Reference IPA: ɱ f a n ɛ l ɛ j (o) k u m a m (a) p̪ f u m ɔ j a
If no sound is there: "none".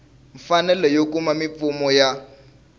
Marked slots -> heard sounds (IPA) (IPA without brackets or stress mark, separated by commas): o, i